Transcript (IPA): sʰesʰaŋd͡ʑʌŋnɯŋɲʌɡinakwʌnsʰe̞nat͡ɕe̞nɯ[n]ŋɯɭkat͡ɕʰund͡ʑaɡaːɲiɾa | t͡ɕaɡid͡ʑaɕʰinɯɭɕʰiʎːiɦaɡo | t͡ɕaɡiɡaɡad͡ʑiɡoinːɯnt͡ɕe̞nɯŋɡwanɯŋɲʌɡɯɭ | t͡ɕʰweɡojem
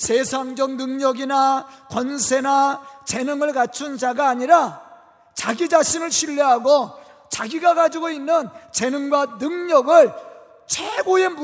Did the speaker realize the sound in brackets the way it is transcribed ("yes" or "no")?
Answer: no